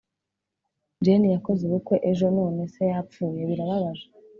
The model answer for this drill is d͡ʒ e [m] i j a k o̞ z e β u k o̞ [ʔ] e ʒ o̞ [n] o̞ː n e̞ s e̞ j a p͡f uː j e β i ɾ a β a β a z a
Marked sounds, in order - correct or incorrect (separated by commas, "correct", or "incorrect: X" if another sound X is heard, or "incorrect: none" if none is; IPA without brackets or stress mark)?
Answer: incorrect: n, correct, correct